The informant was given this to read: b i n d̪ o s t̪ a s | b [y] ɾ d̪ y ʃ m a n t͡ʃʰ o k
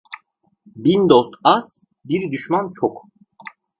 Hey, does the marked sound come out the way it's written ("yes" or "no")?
no